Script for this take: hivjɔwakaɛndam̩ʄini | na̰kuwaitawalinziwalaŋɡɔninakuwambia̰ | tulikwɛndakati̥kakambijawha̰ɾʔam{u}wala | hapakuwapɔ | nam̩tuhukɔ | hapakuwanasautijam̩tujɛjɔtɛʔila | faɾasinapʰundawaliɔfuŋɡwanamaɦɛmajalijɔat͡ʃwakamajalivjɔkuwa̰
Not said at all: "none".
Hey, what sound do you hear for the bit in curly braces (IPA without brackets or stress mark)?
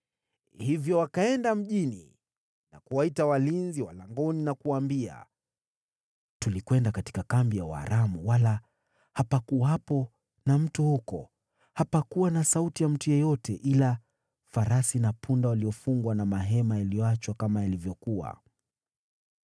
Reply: u